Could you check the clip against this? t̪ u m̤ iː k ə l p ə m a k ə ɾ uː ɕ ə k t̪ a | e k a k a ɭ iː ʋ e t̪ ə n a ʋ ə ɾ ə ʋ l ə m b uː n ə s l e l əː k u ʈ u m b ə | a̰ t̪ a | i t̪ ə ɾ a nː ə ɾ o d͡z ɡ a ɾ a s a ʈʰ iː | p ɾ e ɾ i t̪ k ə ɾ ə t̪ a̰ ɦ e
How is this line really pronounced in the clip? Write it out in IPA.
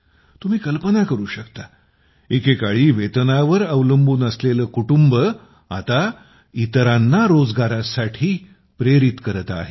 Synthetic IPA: t̪ u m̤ iː k ə l p ə n a k ə ɾ uː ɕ ə k t̪ a | e k e k a ɭ iː ʋ e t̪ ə n a ʋ ə ɾ ə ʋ l ə m b uː n ə s l e l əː k u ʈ u m b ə | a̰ t̪ a | i t̪ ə ɾ a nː a ɾ o d͡z ɡ a ɾ a s a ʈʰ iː | p ɾ e ɾ i t̪ k ə ɾ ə t̪ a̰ ɦ e